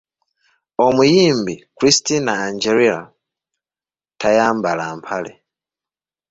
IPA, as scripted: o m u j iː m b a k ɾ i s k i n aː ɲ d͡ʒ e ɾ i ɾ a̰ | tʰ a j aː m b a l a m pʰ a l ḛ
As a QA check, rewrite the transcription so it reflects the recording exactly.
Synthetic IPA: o m u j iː m b i k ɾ i s t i n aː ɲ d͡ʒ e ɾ i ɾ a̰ | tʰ a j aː m b a l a m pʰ a l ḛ